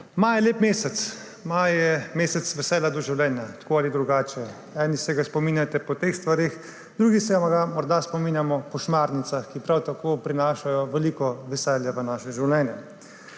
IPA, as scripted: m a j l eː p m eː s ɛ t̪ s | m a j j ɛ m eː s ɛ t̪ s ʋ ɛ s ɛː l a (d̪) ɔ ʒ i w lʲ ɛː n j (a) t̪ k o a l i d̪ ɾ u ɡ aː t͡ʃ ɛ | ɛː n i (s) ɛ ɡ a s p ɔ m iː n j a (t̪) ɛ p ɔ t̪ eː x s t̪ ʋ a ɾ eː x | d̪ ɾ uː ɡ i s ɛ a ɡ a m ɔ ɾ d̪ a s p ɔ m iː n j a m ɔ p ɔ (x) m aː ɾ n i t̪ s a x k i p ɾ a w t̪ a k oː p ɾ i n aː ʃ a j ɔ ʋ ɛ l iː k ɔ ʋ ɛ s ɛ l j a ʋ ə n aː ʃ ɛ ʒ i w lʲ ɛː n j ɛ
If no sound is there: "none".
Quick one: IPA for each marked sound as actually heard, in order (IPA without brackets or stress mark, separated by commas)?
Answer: d̪, a, s, t̪, ʃ